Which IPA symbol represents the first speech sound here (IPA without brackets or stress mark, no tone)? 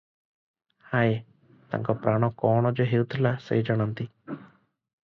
h